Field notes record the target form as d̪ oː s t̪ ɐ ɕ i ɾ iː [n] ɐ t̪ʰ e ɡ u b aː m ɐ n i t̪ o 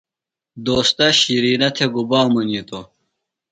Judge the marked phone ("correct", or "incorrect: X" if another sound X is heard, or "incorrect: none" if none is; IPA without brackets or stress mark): correct